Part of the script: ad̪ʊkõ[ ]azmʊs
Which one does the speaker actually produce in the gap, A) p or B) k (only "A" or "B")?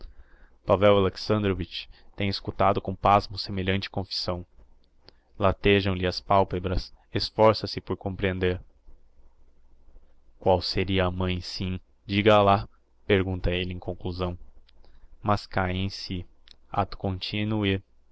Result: A